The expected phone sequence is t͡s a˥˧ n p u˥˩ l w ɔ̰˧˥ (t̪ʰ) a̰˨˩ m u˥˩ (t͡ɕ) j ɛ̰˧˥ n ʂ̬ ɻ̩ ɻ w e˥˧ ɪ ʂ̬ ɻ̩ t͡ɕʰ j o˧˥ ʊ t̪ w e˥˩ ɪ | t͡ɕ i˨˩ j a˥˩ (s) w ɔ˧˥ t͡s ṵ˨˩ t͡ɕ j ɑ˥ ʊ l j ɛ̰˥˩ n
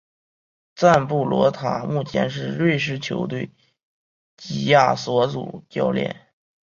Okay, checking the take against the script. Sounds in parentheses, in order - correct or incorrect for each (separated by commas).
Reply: correct, incorrect, correct